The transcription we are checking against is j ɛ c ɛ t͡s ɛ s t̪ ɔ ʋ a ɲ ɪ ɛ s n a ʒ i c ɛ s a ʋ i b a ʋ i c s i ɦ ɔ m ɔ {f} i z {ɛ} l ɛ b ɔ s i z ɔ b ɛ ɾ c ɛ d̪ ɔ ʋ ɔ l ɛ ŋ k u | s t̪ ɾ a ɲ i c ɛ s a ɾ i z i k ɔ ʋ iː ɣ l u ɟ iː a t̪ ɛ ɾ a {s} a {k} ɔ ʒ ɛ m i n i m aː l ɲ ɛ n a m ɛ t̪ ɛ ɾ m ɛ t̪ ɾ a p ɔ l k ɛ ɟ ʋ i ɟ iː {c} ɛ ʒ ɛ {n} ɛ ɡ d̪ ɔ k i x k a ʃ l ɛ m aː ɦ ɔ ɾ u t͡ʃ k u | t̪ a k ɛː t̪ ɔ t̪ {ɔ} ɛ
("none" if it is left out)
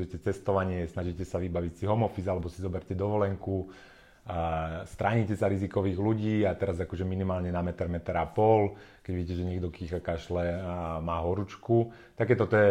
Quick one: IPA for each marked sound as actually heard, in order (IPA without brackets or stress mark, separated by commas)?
f, a, z, k, c, ɲ, ɔ